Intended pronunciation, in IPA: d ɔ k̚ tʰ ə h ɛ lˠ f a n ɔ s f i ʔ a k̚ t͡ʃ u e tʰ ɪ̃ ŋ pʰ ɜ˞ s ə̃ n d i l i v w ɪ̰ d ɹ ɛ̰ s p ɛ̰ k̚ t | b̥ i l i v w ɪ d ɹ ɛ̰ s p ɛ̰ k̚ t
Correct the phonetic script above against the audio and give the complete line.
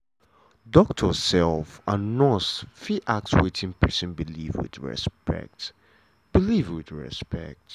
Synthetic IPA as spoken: d ɔ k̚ tʰ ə s ɛ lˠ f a n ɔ s f i ʔ a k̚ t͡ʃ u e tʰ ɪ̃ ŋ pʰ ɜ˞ s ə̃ n b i l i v w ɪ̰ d ɹ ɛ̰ s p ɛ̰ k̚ t | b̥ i l i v w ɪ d ɹ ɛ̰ s p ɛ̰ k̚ t